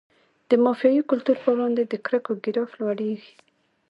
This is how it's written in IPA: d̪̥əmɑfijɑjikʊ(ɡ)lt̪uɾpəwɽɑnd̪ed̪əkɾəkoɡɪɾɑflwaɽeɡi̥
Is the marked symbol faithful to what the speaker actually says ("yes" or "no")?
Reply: no